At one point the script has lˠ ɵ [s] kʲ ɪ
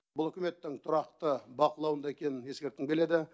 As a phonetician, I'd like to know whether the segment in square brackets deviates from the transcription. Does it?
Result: yes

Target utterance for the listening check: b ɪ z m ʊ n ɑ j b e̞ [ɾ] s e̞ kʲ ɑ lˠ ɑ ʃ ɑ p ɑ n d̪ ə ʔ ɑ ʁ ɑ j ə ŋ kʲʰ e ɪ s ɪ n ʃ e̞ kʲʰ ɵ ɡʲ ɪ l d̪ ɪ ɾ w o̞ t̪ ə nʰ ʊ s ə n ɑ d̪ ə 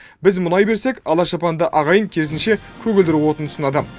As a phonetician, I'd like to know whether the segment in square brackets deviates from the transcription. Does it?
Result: no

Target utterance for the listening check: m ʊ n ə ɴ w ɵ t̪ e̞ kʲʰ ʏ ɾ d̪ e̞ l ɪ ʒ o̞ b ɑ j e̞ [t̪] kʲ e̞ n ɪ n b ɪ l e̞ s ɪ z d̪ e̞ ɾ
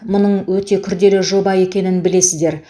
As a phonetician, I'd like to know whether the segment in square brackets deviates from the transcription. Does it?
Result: yes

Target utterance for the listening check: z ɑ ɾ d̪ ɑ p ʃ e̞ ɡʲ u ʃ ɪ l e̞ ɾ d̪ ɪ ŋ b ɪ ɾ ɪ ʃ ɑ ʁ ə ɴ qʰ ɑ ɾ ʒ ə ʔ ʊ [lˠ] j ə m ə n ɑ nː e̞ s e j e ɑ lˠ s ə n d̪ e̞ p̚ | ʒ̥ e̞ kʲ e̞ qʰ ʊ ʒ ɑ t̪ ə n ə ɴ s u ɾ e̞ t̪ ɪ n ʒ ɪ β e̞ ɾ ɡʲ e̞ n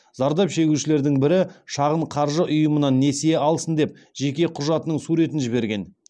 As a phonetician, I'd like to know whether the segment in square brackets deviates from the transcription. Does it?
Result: yes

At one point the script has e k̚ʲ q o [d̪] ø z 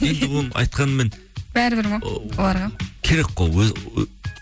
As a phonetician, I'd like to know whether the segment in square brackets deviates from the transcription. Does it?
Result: yes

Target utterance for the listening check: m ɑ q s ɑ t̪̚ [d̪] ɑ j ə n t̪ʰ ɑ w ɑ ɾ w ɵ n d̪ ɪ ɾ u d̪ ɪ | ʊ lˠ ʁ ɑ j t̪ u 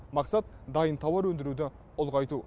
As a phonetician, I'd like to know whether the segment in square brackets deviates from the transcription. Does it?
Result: no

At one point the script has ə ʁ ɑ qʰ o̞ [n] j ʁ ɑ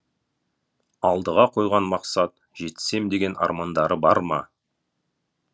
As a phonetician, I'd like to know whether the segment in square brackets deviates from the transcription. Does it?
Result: yes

